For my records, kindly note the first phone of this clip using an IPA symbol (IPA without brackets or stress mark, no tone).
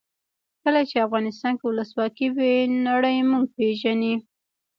k